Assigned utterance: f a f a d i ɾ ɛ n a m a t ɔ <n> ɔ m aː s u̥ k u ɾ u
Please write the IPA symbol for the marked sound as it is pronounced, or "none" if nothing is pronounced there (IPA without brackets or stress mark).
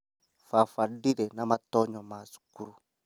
ɲ